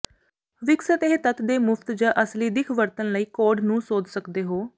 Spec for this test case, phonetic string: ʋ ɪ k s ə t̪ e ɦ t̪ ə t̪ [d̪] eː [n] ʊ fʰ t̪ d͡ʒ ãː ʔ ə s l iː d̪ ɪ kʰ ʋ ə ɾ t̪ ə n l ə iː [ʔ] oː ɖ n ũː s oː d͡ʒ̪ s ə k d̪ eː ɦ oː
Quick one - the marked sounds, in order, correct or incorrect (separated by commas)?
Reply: correct, incorrect, incorrect